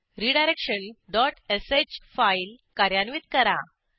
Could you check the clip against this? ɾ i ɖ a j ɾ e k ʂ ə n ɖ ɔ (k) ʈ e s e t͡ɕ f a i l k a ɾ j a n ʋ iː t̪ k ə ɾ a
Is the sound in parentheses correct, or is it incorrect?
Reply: incorrect